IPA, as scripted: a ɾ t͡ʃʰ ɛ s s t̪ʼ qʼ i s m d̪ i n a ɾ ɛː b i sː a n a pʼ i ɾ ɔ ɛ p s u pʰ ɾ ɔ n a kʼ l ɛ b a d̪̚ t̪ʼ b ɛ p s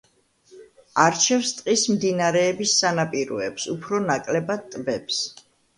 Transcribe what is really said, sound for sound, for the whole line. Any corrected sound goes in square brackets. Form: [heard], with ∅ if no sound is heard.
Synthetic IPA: a ɾ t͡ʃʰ ɛ [f] s t̪ʼ qʼ i s m d̪ i n a ɾ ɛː b i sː a n a pʼ i ɾ ɔ ɛ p s u pʰ ɾ ɔ n a kʼ l ɛ b a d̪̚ t̪ʼ b ɛ p s